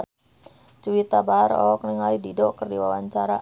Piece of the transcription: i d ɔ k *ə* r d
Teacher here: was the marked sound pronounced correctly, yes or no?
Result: yes